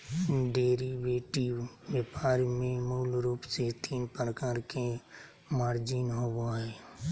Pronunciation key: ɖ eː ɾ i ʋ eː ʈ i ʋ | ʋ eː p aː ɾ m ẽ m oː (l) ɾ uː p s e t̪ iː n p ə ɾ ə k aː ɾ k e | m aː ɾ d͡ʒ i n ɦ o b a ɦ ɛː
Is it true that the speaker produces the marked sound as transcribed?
yes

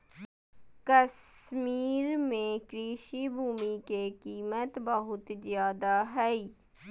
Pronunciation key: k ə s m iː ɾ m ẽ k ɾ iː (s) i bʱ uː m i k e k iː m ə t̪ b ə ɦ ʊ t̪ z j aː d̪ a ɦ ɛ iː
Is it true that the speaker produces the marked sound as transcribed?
no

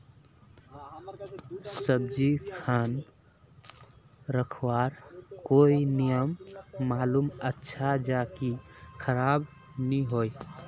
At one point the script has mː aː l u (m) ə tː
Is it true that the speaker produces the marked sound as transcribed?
yes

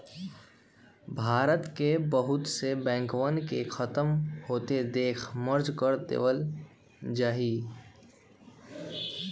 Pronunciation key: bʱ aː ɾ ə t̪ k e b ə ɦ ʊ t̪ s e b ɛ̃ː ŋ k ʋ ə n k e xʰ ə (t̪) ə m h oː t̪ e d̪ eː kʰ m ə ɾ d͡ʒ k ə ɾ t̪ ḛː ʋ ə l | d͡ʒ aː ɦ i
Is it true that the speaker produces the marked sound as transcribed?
yes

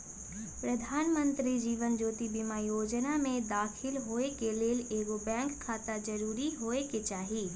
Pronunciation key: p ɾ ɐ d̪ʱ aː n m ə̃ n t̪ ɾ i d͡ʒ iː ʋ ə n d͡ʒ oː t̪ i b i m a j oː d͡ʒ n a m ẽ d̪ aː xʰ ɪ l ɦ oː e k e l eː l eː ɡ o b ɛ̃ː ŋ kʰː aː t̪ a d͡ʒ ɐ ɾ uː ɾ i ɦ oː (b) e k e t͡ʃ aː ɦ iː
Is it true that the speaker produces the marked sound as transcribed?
no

